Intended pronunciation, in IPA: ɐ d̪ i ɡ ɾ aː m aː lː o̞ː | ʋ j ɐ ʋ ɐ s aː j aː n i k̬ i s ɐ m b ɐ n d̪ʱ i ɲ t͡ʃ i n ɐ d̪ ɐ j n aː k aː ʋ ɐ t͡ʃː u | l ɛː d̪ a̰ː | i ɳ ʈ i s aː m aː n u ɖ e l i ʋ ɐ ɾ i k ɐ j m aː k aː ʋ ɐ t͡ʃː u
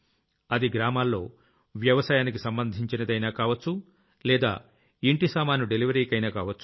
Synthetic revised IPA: ɐ d̪ i ɡ ɾ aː m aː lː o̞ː | ʋ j ɐ ʋ ɐ s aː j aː n i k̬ i s ɐ m b ɐ n d̪ʱ i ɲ t͡ʃ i n ɐ d̪ ɐ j n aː k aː ʋ ɐ t͡ʃː u | l ɛː d̪ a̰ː | i ɳ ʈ i s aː m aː n u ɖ e l i ʋ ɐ ɾ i k ɐ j n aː k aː ʋ ɐ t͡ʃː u